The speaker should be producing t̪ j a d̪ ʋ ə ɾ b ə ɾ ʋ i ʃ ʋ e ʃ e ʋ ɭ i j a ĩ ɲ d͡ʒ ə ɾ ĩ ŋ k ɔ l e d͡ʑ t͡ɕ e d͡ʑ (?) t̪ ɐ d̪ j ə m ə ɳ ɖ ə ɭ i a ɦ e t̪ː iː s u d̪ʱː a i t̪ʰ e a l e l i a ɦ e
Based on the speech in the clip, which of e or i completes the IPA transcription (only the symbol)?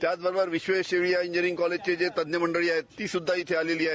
e